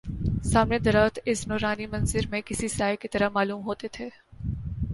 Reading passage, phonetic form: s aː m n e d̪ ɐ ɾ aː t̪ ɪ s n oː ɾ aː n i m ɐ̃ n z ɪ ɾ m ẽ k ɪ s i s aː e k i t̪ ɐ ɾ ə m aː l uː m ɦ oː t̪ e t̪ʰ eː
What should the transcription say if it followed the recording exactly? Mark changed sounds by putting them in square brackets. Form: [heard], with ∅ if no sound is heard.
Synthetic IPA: s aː m n e d̪ ɐ ɾ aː t̪ ɪ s n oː ɾ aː n i m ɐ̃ n z ɪ ɾ m ẽ k ɪ s i s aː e k i t̪ ɐ ɾ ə m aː l uː m ɦ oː t̪ e t̪ʰ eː